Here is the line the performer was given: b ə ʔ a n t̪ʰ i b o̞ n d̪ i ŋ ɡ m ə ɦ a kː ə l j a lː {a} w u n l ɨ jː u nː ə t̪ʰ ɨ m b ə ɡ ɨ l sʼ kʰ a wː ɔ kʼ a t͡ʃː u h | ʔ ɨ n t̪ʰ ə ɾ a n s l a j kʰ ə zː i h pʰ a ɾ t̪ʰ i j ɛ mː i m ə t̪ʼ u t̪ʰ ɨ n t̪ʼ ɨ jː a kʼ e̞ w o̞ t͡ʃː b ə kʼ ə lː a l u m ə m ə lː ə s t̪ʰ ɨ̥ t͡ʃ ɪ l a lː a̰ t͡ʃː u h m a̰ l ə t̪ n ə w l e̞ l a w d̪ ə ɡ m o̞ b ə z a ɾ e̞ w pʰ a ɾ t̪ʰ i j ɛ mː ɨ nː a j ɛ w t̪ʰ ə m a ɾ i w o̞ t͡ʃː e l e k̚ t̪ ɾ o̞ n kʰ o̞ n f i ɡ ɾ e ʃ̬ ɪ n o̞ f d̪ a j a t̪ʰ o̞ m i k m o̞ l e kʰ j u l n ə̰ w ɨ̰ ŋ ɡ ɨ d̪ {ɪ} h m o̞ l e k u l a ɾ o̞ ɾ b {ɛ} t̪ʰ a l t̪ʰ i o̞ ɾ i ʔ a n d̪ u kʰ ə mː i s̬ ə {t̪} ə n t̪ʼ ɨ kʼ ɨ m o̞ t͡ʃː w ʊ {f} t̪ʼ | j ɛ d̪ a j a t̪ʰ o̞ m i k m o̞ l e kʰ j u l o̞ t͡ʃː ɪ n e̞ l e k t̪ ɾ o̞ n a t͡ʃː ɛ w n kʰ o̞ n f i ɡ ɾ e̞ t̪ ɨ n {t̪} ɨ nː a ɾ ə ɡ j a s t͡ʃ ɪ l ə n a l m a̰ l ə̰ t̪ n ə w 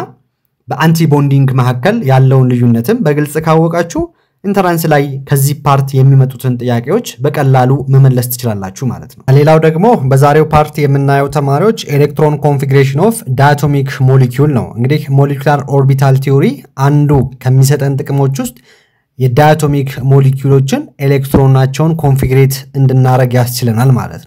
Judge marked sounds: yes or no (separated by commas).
no, no, no, no, no, no